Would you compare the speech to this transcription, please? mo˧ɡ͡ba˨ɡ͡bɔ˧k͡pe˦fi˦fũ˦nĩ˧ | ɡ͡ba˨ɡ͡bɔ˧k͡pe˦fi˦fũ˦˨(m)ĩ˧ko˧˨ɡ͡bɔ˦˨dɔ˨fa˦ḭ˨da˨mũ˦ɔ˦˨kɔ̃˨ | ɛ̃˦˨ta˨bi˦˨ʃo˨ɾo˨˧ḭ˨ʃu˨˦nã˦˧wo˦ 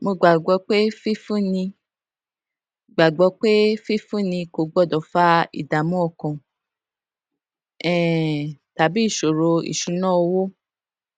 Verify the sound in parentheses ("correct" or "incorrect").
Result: incorrect